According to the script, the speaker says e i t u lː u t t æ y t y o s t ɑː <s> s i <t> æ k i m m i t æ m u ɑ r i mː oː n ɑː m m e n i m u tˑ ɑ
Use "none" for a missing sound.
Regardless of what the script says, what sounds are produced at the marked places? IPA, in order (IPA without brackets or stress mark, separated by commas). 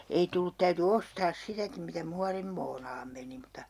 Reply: s, t